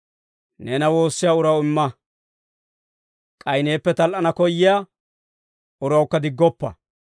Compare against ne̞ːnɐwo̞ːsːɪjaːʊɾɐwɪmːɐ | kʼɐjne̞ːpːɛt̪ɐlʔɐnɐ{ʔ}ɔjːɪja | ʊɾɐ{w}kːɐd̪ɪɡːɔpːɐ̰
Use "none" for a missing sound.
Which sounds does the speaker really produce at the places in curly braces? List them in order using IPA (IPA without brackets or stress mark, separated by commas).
k, w